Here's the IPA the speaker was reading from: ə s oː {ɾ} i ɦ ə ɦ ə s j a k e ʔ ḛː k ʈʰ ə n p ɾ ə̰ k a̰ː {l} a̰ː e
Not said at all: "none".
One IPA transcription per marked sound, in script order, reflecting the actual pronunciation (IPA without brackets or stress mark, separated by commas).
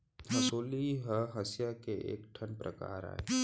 l, ɾ